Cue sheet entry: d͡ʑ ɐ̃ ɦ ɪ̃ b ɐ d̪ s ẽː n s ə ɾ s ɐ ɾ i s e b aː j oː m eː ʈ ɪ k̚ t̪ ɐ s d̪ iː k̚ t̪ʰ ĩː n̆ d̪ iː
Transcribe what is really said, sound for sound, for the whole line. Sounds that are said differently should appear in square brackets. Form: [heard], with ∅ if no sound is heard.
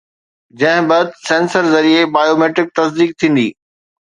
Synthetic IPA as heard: d͡ʑ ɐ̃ ɦ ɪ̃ b ɐ d̪ s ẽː n s ə ɾ [z] ɐ ɾ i [∅] e b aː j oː m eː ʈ ɪ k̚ t̪ ɐ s d̪ iː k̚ t̪ʰ ĩː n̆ d̪ iː